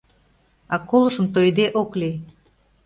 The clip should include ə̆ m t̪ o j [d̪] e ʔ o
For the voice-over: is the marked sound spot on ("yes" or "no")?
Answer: yes